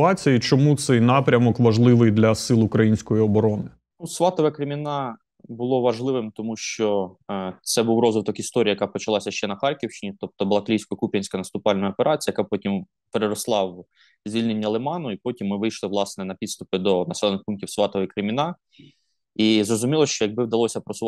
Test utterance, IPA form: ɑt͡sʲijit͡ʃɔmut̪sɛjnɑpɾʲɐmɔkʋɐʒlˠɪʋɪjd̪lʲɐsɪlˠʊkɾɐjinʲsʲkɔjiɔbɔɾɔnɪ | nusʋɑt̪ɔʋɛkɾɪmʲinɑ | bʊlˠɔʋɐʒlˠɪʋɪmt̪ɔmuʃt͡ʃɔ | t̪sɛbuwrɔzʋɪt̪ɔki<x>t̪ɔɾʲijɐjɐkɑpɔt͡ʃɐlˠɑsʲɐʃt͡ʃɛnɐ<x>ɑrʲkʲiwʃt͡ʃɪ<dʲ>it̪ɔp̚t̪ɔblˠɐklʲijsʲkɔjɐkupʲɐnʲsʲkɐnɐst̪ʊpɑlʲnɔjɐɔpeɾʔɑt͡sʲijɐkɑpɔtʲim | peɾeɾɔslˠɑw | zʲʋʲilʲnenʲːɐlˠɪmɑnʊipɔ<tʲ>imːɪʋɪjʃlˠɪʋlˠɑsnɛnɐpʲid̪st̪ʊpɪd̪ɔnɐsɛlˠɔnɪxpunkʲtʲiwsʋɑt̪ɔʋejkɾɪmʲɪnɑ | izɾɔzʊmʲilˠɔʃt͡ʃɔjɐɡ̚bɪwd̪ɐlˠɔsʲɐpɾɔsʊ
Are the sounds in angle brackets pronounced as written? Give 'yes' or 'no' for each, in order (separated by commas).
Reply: no, yes, no, yes